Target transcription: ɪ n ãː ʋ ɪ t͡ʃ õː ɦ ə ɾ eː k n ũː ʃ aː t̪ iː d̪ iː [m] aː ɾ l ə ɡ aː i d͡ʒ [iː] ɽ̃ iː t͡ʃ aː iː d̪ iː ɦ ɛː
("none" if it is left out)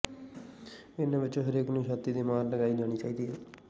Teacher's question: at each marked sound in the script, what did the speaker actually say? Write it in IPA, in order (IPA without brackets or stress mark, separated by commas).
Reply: m, aː